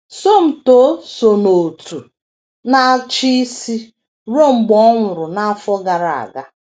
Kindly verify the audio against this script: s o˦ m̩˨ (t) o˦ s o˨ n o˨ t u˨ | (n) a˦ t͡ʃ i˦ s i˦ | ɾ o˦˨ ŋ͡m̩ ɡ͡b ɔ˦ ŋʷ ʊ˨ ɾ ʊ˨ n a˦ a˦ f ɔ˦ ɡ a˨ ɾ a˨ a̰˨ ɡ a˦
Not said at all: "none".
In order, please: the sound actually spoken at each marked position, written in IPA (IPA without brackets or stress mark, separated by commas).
t, n